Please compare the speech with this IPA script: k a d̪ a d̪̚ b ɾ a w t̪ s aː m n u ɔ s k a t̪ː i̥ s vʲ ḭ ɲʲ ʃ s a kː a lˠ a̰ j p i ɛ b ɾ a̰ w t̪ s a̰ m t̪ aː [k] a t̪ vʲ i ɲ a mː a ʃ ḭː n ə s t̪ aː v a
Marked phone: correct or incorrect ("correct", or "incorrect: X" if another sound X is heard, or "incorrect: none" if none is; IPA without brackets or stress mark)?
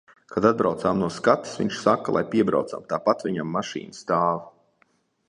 incorrect: p